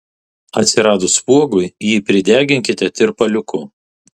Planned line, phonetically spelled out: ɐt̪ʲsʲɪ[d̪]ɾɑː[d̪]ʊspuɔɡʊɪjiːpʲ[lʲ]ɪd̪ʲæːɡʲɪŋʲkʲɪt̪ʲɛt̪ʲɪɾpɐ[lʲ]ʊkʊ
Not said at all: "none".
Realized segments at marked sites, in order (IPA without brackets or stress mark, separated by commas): none, d̪, ɾʲ, lʲ